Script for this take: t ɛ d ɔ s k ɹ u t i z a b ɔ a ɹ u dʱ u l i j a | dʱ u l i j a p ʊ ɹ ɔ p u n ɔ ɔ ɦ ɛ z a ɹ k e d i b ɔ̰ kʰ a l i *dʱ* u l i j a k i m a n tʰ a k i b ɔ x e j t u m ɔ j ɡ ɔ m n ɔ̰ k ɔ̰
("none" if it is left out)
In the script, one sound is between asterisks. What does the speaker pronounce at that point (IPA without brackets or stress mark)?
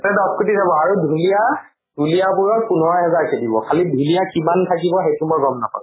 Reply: dʱ